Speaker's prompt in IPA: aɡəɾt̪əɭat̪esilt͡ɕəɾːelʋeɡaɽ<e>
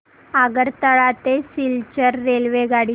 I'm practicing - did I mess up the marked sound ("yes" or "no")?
yes